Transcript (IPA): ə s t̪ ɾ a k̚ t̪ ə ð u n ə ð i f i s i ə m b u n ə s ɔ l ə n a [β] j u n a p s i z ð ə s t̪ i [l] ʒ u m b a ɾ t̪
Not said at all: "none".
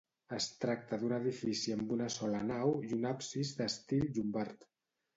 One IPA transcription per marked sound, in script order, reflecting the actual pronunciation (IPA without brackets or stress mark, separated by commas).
w, l